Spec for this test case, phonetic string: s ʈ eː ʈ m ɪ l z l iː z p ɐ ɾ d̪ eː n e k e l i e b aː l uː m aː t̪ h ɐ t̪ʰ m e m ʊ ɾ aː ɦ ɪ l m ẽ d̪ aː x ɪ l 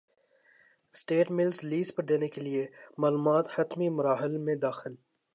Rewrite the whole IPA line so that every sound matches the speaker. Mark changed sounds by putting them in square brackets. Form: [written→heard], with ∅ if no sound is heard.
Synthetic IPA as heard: s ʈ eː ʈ m ɪ l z l iː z p ɐ ɾ d̪ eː n e k e l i e [b→m] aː l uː m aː t̪ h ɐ [t̪ʰ→t̪] m [e→i] m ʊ ɾ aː ɦ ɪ l m ẽ d̪ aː x ɪ l